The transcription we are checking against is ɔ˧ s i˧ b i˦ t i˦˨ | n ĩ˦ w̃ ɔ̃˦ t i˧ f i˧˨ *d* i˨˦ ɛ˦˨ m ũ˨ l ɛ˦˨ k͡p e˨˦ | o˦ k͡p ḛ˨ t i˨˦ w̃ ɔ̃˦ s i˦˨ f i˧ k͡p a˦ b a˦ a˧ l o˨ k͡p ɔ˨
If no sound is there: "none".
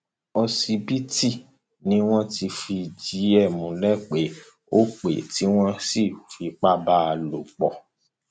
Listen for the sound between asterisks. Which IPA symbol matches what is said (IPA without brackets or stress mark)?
d͡ʒ